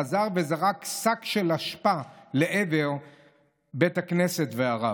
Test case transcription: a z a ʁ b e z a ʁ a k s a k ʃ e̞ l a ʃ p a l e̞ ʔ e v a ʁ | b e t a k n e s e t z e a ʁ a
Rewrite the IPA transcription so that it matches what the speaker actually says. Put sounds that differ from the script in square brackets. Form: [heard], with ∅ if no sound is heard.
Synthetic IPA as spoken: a z a ʁ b e z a ʁ a k s a k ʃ e̞ l a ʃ p a l e̞ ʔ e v [e] ʁ | b e t a k n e s e t [v] e a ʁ a